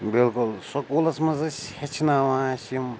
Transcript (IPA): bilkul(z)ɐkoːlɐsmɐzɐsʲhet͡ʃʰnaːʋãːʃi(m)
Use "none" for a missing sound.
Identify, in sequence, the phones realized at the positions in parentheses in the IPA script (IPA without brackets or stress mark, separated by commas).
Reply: s, m